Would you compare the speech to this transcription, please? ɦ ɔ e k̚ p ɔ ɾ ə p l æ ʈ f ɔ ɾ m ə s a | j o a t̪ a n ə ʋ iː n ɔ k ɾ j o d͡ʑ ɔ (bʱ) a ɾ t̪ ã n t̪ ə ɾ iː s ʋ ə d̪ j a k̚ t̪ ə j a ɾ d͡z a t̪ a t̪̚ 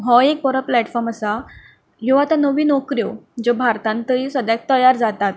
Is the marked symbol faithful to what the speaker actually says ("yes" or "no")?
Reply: yes